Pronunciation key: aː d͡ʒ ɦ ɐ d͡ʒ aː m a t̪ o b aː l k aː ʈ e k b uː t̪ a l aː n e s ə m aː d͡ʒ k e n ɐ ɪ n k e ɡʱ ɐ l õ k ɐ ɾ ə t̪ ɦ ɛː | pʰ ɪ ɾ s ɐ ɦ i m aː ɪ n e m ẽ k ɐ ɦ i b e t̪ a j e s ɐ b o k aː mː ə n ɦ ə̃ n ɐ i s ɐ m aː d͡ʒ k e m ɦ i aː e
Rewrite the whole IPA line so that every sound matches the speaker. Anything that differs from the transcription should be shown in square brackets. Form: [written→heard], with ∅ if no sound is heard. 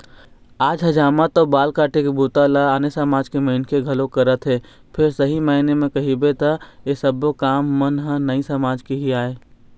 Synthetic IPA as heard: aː d͡ʒ ɦ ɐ d͡ʒ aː m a t̪ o b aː l k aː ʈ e k b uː t̪ a l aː n e s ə m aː d͡ʒ k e [n→m] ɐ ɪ n k e ɡʱ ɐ l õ k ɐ ɾ ə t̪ ɦ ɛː | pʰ ɪ ɾ s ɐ ɦ i m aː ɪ n e m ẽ k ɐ ɦ i b e t̪ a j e s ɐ b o k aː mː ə n ɦ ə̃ n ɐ i s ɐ m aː d͡ʒ k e [m→∅] ɦ i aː e